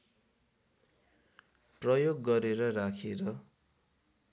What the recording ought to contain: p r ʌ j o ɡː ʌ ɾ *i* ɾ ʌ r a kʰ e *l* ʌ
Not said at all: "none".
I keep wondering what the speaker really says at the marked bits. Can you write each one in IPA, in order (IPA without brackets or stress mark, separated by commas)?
e, ɾ